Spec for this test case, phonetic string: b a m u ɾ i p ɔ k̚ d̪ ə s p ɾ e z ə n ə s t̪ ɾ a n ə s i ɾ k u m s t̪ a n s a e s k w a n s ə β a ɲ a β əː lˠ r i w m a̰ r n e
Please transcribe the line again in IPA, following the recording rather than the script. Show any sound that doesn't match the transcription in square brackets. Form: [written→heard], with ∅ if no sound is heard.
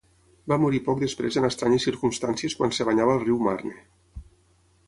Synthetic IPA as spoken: b a m u ɾ i p ɔ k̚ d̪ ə s p ɾ e z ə n ə s t̪ ɾ a [n→ɲ] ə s i ɾ k u m s t̪ a n s [a→i] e s k w a n s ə β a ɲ a β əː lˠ r i w m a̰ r n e

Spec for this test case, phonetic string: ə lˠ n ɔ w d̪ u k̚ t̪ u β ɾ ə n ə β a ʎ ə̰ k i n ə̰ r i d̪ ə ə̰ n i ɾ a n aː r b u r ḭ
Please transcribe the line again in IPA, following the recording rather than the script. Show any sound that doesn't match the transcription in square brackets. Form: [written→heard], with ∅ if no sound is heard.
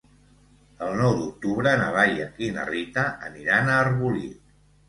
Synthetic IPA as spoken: ə lˠ n ɔ w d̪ u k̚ t̪ u β ɾ ə n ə β a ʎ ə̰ k i n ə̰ r i [d̪→t̪] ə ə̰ n i ɾ a n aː r [b→β] u [r→l] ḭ

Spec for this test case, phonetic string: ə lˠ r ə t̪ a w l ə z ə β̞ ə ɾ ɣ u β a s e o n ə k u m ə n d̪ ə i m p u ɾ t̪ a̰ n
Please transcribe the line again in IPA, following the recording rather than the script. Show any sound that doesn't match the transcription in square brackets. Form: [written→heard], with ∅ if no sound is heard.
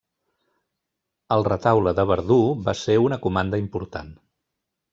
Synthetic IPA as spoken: ə lˠ r ə t̪ a w l ə [z→ð] ə β̞ ə ɾ [ɣ→ð] u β a s e [o→u] n ə k u m [ə→a] n d̪ ə i m p u ɾ t̪ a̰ n

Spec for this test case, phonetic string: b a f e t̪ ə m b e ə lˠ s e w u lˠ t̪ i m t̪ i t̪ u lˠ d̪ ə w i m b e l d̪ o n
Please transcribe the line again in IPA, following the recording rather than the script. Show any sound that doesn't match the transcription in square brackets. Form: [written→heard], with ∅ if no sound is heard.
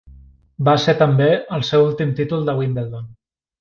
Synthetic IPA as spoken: b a [f→s] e t̪ ə m b e ə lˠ s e w u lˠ t̪ i m t̪ i t̪ u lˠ d̪ ə w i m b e l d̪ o n

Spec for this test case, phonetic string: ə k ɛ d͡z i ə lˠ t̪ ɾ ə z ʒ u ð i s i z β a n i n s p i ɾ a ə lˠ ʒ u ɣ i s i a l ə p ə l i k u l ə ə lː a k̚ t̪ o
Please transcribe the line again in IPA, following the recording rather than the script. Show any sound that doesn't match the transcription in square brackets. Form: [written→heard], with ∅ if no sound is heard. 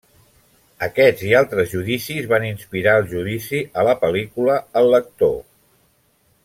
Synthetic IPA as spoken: ə k ɛ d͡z i [ə→a] lˠ t̪ ɾ ə z ʒ u ð i s i z β a n i n s p i ɾ a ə lˠ ʒ u [ɣ→ð] i s i [a→ə] l ə p ə l i k u l ə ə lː [a→ə] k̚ t̪ o

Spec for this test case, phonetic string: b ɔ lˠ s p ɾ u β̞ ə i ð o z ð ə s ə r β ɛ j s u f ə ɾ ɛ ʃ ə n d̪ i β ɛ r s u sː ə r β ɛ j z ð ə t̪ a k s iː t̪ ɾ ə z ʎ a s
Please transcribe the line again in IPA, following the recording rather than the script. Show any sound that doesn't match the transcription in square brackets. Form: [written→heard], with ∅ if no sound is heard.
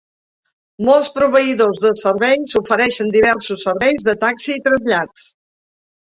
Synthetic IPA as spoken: [b→m] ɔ lˠ s p ɾ u β̞ ə i ð o z ð ə s ə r β ɛ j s u f ə ɾ ɛ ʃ ə n d̪ i β ɛ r s u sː ə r β ɛ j z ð ə t̪ a k s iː t̪ ɾ ə z ʎ a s

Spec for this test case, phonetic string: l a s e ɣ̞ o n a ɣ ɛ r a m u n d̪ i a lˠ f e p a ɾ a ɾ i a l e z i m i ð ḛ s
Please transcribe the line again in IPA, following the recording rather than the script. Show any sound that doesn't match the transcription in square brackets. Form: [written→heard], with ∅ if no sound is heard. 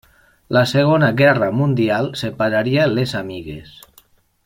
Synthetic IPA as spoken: l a s e ɣ̞ o n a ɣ ɛ r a m u n d̪ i a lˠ [f→s] e p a ɾ a ɾ i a l e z [i→a] m i [ð→ɣ] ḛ s

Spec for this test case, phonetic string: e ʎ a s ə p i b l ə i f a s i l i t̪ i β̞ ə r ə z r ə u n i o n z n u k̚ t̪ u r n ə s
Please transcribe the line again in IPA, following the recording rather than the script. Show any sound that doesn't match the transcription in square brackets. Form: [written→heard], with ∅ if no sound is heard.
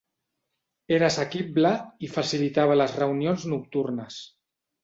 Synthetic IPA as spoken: e [ʎ→ɾ] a s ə [p→k] i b l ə i f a s i l i t̪ [i→a] β̞ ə [r→l] ə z r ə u n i o n z n u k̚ t̪ u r n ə s

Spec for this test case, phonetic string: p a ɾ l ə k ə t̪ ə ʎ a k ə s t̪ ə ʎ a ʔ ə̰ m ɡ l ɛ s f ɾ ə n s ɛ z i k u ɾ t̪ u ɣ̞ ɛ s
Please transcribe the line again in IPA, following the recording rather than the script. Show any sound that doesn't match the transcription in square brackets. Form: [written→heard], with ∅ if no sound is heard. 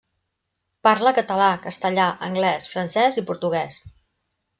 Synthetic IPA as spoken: p a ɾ l ə k ə t̪ ə [ʎ→l] a k ə s t̪ ə ʎ a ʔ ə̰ [m→ŋ] ɡ l ɛ s f ɾ ə n s ɛ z i [k→p] u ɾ t̪ u ɣ̞ ɛ s

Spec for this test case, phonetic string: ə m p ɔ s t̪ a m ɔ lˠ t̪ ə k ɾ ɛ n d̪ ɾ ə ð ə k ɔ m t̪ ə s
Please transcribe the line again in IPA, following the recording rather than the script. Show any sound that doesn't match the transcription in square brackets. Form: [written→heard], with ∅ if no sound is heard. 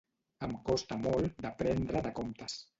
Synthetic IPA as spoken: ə m [p→k] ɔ s t̪ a m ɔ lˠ [t̪→d̪] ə [k→p] ɾ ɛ n d̪ ɾ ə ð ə k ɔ m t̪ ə s

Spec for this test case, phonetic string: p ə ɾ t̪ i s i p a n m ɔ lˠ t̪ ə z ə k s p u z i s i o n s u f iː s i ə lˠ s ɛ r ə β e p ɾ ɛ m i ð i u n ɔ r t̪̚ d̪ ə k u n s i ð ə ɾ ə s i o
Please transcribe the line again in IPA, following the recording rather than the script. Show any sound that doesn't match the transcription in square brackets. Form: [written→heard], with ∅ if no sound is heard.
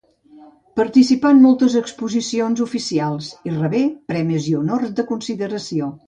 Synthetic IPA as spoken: p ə ɾ t̪ i s i p a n m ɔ lˠ t̪ ə z ə k s p u z i s i o n [s→z] u f [iː→i] s i [ə→a] lˠ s [ɛ→i] r ə β e p ɾ ɛ m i [ð→z] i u n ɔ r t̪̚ d̪ ə k u n s i ð ə ɾ ə s i o

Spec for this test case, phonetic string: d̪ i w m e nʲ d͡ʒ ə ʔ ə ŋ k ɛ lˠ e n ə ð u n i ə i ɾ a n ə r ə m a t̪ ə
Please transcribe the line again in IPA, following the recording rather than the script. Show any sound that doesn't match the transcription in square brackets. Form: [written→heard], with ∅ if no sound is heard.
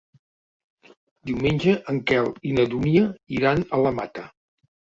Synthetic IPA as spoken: d̪ i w m e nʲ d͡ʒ ə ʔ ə ŋ k ɛ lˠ [e→i] n ə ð u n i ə i ɾ a n ə [r→l] ə m a t̪ ə

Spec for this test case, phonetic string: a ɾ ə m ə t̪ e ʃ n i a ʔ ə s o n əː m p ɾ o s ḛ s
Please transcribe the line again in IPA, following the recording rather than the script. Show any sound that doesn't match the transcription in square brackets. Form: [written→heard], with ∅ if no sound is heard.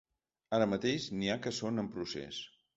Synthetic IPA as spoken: a ɾ ə m ə t̪ e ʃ n i a [ʔ→k] ə s o n [əː→ə] m p ɾ [o→u] s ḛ s

